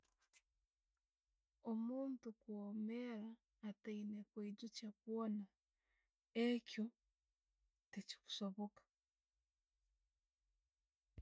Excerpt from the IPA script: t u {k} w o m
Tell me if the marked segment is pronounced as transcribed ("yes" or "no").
yes